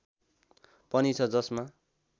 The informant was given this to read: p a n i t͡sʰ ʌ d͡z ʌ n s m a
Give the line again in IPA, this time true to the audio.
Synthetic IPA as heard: p ʌ n i t͡sʰ ʌ d͡z ʌ s m a